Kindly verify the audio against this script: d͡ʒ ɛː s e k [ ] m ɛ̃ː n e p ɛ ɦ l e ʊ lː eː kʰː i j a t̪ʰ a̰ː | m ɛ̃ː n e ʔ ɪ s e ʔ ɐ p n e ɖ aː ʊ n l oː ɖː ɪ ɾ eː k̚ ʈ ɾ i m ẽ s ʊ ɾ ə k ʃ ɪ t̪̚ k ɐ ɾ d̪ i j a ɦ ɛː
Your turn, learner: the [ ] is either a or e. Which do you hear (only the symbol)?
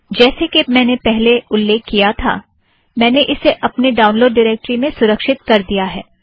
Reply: e